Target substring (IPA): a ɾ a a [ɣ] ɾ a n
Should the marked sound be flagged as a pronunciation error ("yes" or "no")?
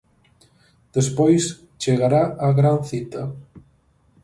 no